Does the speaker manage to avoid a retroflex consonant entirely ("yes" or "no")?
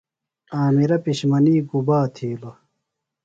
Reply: yes